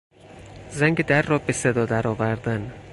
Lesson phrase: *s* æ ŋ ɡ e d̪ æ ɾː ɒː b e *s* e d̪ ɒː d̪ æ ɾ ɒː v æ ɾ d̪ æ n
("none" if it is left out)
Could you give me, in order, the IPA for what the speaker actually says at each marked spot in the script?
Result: z, s

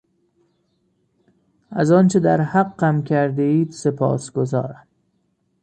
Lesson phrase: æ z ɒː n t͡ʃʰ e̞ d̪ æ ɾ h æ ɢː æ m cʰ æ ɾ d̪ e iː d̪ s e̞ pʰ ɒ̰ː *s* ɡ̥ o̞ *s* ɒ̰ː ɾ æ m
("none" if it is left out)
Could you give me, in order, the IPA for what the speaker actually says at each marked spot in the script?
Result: s, z

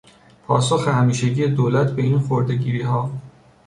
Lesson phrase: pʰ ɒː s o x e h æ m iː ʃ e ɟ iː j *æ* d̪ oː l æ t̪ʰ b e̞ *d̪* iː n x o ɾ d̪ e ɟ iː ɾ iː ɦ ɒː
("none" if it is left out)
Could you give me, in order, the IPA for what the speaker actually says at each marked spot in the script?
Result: e, none

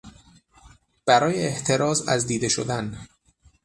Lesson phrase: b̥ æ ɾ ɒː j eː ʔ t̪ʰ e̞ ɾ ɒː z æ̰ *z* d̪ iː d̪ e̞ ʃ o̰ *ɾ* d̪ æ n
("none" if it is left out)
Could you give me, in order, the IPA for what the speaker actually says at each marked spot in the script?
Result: z, none

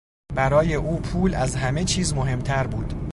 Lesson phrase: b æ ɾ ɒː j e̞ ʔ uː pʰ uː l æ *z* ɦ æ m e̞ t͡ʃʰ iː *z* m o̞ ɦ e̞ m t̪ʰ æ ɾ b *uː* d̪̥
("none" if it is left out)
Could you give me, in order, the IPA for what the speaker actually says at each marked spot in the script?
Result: z, z, uː

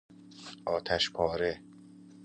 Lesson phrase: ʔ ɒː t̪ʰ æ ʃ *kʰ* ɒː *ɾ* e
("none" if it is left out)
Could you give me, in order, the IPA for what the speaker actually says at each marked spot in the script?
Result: pʰ, ɾ

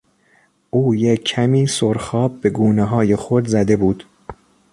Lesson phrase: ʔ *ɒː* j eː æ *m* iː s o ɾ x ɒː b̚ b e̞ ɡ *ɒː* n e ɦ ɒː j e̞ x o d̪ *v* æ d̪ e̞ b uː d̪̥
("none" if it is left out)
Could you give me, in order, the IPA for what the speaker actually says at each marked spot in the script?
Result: uː, m, uː, z

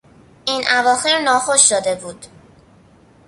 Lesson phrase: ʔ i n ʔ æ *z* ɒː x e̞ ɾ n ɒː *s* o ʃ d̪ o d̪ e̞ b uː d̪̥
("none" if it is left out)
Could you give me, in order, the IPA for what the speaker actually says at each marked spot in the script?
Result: v, x

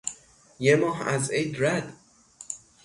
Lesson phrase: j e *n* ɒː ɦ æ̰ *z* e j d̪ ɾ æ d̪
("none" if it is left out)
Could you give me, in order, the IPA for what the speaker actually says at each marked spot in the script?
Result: m, z

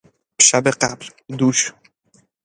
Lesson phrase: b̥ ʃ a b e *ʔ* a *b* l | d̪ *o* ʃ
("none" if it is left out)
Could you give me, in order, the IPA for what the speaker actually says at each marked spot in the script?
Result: q, b, u

